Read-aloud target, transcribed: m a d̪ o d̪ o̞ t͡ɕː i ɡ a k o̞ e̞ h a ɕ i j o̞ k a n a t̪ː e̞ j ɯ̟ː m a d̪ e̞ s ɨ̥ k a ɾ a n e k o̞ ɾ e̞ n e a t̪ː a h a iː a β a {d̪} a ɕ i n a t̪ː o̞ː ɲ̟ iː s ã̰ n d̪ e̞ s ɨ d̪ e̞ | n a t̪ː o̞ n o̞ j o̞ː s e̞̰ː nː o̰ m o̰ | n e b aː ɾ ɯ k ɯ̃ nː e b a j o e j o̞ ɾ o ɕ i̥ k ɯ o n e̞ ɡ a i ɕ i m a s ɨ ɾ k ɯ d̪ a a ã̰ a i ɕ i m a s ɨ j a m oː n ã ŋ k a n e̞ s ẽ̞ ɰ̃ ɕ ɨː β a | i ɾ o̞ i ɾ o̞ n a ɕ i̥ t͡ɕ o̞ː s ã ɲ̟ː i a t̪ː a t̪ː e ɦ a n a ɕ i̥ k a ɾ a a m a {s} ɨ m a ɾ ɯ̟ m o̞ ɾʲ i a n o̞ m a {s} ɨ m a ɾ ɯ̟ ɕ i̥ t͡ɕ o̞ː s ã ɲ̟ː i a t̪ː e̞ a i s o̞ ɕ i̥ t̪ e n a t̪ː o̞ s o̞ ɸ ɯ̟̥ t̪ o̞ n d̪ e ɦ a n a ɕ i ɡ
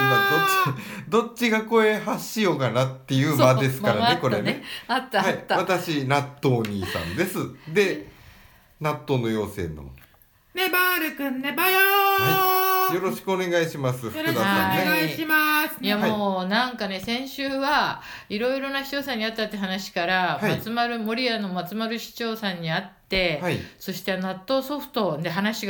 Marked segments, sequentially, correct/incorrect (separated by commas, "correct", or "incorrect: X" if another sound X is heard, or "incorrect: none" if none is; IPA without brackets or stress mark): incorrect: t̪, incorrect: t͡s, incorrect: t͡s